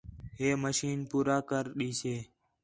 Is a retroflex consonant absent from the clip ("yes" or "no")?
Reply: yes